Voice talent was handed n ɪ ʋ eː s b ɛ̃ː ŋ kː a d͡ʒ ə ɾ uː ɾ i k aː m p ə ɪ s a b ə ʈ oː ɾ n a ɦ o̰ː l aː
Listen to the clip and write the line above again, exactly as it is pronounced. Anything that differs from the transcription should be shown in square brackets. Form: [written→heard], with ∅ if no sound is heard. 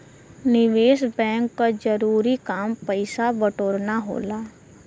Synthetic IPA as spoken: n ɪ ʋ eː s b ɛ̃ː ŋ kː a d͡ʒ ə ɾ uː ɾ i k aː m p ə ɪ s a b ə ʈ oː ɾ n a ɦ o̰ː l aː